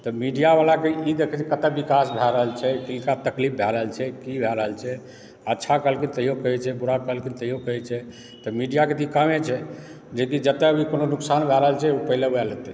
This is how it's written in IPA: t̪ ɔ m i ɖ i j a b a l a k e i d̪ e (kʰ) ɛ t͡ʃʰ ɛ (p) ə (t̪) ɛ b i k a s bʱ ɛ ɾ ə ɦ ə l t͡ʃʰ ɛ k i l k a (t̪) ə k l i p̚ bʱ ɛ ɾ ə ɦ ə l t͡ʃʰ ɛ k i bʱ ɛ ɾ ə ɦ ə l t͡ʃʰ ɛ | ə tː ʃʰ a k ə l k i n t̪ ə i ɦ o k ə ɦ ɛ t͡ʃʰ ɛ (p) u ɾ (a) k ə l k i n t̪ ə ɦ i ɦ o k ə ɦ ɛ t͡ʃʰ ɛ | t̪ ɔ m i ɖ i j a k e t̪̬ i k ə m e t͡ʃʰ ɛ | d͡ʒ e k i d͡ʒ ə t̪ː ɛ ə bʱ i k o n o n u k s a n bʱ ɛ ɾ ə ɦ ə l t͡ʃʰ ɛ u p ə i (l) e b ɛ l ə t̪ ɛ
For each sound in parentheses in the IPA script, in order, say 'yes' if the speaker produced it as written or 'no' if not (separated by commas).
yes, no, yes, yes, no, yes, yes